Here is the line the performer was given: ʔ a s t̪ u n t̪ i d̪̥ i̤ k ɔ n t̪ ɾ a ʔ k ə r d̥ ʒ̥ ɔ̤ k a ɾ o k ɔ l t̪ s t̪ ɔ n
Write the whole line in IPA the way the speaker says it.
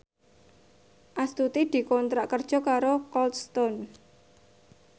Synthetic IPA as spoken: ʔ a s t̪ u t̪ i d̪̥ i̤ k ɔ n t̪ ɾ a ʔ k ə r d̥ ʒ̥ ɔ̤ k a ɾ o k ɔ l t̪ s t̪ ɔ n